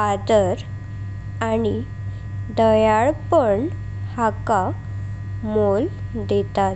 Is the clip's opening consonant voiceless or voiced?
voiced